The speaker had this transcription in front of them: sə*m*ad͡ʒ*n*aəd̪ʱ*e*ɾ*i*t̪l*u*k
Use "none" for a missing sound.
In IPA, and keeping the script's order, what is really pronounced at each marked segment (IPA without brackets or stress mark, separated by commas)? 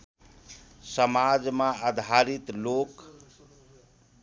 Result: m, m, a, i, o